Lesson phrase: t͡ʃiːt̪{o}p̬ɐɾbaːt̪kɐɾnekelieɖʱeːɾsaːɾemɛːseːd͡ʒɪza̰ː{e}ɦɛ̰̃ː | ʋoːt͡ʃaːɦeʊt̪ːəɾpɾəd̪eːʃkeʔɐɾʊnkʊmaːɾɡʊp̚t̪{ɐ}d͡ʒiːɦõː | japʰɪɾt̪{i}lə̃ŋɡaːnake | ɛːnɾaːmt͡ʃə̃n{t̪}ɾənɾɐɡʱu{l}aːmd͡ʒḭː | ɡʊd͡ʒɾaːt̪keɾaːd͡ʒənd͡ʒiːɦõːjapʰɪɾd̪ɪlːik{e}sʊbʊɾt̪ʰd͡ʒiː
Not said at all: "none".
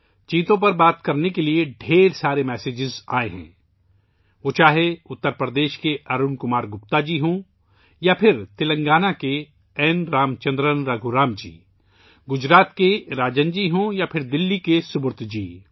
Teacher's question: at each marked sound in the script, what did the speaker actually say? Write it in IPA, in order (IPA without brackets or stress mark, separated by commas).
õ, e, a, ɪ, d̪, ɾ, e